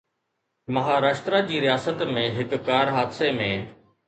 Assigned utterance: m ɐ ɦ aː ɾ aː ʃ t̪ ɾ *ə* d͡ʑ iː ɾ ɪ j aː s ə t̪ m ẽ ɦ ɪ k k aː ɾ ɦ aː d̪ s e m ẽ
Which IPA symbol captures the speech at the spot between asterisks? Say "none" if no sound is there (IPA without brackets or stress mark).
a